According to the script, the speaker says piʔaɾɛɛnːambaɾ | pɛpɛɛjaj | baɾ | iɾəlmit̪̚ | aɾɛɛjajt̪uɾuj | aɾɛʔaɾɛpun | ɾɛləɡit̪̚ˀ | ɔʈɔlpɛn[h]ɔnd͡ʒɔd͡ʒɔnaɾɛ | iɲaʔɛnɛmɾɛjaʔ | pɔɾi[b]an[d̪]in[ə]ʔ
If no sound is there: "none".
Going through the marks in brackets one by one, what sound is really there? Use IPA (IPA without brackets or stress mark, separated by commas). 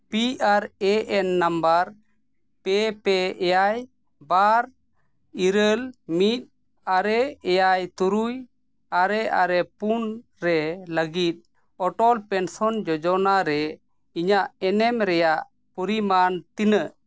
s, m, t̪, ə